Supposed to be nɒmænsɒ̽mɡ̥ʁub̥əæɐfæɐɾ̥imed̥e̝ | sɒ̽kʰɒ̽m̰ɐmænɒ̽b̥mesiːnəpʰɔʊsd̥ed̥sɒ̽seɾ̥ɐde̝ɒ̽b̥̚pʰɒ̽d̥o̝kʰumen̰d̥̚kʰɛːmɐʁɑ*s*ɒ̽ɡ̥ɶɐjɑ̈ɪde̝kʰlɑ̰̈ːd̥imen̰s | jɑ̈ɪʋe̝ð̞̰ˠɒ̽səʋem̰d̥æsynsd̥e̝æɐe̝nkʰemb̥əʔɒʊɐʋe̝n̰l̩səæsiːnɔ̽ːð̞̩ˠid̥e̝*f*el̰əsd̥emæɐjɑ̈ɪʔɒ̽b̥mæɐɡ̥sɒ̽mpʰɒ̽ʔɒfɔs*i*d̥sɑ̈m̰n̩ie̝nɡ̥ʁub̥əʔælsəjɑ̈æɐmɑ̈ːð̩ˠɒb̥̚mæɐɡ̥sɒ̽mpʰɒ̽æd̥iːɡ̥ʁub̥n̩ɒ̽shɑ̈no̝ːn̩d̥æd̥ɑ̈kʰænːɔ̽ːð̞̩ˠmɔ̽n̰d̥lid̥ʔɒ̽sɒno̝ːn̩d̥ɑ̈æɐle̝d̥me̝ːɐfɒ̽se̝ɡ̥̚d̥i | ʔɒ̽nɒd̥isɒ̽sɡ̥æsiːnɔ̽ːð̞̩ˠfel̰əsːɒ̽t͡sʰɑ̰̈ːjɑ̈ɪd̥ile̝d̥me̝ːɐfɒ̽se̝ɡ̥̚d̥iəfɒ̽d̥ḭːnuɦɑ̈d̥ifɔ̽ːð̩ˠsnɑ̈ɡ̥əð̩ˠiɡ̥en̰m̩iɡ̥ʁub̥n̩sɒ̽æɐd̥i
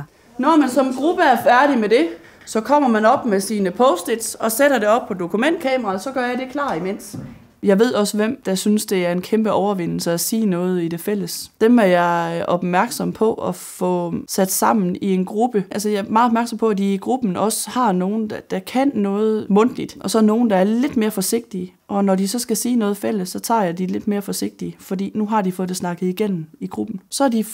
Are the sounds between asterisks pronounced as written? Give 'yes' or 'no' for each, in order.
yes, yes, no

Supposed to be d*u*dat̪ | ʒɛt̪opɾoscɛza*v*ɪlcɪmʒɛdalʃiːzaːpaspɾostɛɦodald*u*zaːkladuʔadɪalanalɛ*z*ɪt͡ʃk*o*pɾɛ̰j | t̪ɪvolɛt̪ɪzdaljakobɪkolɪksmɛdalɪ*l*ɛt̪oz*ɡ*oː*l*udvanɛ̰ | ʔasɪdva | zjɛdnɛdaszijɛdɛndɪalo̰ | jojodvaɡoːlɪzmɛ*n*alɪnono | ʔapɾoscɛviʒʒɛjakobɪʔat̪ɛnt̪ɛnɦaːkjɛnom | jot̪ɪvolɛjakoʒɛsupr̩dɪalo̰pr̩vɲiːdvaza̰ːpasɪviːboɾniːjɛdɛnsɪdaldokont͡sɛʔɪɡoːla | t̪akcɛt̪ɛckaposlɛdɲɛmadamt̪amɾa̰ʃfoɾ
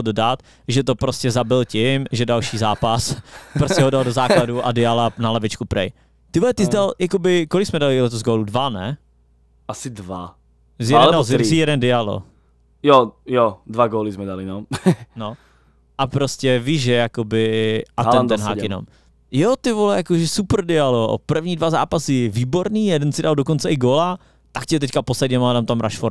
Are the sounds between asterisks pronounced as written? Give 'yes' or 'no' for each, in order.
no, no, no, no, no, yes, yes, yes, no

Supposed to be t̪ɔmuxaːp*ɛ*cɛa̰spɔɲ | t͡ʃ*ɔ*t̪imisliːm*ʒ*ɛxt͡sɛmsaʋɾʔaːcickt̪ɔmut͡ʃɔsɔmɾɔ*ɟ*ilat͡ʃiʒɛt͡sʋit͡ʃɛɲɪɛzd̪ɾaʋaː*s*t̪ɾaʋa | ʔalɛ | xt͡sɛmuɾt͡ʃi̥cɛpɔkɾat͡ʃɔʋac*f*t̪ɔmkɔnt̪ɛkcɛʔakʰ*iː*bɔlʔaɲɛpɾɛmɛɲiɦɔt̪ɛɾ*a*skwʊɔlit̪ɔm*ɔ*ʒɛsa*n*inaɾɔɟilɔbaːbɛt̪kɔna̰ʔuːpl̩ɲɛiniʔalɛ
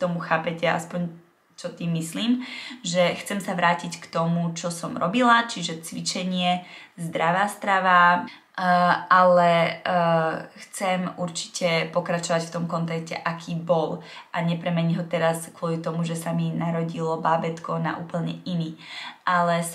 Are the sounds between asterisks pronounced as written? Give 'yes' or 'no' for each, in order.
yes, yes, yes, no, yes, yes, yes, yes, no, no

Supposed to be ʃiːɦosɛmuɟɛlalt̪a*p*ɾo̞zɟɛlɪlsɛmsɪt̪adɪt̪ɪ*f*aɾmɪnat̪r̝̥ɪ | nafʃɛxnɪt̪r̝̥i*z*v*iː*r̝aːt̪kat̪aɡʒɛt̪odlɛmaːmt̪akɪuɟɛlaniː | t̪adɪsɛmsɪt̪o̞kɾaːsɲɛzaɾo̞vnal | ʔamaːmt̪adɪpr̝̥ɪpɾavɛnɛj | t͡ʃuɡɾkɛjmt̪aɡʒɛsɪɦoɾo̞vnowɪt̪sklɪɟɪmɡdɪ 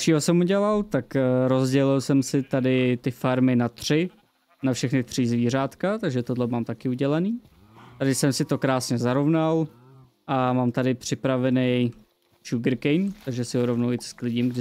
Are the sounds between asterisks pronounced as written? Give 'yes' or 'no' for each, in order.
no, yes, yes, yes

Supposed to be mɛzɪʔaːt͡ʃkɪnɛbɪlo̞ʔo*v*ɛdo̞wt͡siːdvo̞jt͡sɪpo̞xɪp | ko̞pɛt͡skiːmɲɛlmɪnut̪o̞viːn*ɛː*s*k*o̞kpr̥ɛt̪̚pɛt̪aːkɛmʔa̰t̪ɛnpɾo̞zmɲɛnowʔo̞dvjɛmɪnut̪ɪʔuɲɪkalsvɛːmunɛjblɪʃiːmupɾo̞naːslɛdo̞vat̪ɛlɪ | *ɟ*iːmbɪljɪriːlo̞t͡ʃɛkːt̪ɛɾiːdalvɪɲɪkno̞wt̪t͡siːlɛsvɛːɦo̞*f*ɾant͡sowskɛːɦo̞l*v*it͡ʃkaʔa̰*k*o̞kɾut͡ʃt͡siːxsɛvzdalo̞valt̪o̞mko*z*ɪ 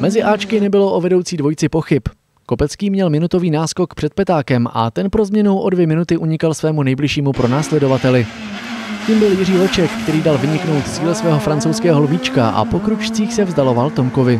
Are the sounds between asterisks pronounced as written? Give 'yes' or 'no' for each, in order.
yes, no, yes, no, yes, yes, no, no

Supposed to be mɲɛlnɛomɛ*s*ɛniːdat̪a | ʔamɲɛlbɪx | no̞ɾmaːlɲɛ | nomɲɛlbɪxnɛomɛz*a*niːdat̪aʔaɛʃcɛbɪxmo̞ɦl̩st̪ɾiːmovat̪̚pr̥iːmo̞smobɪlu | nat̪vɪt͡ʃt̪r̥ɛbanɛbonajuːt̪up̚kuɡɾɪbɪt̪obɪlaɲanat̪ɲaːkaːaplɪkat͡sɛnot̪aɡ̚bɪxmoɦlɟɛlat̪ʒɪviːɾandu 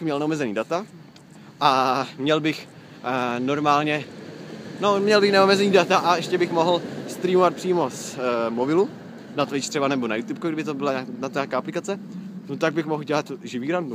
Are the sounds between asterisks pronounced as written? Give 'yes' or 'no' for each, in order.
no, no

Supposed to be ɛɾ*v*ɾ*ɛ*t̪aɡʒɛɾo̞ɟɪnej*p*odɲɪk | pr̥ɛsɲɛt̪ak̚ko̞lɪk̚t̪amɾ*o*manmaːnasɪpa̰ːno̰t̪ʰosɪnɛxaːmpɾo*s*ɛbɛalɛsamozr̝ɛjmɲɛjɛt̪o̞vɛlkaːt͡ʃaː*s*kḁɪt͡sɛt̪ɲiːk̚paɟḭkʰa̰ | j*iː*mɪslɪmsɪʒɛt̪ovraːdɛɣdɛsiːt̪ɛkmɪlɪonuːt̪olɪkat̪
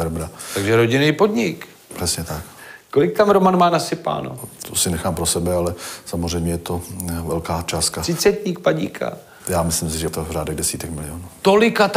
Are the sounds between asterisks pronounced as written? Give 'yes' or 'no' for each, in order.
no, no, yes, yes, yes, yes, no

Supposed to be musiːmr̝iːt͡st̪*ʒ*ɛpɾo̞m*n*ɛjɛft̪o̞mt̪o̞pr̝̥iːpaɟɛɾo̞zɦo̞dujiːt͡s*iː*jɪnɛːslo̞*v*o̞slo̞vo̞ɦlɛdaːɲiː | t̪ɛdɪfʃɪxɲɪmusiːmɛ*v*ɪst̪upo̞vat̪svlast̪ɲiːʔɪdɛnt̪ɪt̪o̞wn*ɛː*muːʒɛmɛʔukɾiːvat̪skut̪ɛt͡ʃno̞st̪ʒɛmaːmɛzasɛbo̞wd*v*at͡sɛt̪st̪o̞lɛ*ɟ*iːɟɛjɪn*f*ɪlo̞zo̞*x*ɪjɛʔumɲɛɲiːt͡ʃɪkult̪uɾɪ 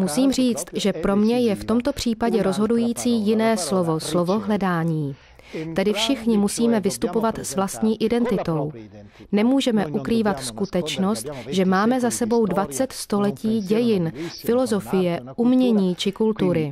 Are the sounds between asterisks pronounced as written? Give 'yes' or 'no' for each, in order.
yes, no, yes, yes, yes, no, yes, no, yes, no

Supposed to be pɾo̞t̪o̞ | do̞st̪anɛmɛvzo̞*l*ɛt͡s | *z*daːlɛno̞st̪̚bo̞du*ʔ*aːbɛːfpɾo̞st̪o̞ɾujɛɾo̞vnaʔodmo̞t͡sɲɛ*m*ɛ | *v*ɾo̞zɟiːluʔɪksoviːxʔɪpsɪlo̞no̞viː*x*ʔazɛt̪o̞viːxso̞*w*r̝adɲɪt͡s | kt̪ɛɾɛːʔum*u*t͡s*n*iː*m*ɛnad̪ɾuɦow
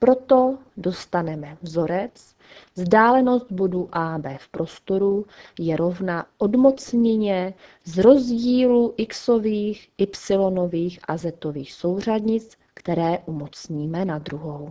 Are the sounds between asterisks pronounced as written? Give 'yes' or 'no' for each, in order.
no, yes, yes, no, no, yes, yes, no, no, yes

